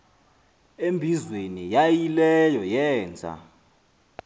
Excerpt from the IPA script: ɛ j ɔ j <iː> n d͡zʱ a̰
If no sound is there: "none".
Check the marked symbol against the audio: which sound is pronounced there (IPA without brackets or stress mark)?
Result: ɛː